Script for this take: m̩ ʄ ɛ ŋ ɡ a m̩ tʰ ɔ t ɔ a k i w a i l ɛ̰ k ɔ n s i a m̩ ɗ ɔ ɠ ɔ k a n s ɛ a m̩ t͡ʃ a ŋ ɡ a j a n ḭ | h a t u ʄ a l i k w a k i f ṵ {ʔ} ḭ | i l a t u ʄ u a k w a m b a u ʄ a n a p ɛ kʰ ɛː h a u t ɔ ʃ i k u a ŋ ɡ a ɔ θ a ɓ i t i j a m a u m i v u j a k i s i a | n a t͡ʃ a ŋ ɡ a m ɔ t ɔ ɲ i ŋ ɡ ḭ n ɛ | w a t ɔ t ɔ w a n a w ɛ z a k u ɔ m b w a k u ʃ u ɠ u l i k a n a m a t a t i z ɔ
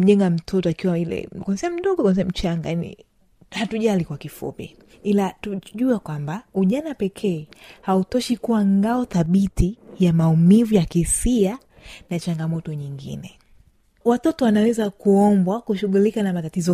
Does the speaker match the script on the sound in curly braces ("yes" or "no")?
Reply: no